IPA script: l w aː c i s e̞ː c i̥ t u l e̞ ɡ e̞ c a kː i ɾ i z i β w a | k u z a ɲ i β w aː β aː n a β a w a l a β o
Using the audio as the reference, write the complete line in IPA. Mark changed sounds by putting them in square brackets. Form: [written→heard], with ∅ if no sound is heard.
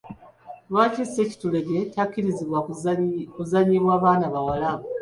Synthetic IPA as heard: l w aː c i s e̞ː c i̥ t u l e̞ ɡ e̞ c a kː i ɾ i z i β w a | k u z a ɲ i β w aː β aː n a β a w a l a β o